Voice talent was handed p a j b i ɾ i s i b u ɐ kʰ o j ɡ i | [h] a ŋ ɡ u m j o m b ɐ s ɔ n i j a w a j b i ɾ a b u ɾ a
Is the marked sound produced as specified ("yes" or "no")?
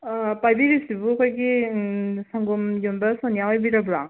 no